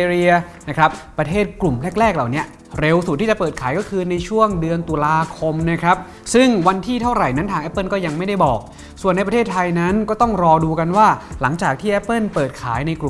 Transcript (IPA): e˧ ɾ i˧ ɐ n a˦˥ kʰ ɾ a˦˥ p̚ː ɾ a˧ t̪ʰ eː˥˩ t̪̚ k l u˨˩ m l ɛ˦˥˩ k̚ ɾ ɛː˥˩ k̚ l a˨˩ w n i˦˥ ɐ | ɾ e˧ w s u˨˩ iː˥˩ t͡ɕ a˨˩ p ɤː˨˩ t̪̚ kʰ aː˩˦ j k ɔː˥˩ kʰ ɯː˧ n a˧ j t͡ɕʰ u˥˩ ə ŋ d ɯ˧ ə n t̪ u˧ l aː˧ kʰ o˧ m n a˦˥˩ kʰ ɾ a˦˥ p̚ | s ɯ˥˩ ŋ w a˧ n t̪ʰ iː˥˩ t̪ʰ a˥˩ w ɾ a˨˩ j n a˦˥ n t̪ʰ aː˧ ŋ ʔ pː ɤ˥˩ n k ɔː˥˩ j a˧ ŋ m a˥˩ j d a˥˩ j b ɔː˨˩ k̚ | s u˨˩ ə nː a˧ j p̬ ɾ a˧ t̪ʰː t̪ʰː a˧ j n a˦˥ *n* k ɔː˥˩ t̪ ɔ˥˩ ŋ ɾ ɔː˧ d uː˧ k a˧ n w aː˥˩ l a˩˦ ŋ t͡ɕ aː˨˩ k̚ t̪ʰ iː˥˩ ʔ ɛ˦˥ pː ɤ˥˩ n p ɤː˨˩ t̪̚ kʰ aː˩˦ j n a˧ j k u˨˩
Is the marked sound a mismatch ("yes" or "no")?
no